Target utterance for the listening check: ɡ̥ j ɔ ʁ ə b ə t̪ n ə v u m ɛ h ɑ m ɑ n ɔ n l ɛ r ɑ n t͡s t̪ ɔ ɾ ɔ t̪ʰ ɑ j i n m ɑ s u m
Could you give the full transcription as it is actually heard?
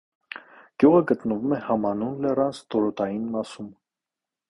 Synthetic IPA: ɡ̥ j u ʁ ə ɡ ə t̪ n ə v u m ɛ h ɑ m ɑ n u n l ɛ r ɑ n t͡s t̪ ɔ ɾ ɔ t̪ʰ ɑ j i n m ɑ s u m